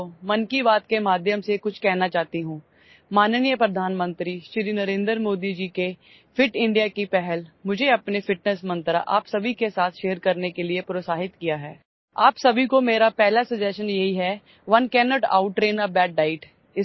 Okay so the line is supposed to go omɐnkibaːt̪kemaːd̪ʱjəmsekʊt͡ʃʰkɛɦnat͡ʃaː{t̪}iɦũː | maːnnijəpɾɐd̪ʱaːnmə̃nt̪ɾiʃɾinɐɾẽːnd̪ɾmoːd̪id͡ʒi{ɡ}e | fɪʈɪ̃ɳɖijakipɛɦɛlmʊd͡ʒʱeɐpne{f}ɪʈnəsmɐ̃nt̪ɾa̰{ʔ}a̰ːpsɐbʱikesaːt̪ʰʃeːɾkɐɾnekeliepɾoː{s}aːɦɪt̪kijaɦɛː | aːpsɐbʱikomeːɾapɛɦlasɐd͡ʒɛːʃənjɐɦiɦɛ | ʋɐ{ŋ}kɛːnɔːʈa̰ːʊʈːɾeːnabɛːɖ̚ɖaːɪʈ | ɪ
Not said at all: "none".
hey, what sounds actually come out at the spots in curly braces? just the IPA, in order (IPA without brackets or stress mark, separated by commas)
t̪, k, f, ʔ, s, n